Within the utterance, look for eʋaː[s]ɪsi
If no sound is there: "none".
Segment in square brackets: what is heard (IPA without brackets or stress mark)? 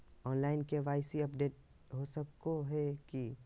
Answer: none